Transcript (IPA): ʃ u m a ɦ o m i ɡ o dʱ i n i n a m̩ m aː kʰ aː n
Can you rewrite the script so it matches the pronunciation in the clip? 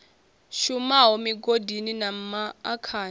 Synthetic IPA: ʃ u m a ɦ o m i ɡ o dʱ i n i n a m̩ m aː kʰ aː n